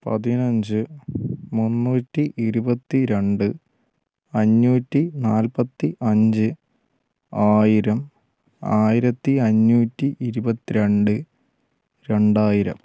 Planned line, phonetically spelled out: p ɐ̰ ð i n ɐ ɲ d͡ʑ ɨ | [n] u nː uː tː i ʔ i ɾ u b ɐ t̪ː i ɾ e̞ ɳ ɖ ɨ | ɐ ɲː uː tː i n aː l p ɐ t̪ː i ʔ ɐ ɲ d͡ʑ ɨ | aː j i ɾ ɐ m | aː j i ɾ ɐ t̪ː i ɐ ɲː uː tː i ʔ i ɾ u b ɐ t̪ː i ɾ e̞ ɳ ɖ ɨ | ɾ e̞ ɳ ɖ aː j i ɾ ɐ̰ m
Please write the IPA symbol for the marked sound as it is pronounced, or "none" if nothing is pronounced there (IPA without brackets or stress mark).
m